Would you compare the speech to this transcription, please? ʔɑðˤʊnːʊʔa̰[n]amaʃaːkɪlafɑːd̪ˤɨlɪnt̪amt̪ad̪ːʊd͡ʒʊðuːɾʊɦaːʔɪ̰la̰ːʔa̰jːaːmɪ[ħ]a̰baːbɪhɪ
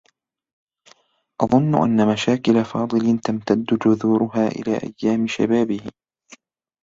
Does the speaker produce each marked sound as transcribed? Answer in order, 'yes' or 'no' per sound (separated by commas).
no, no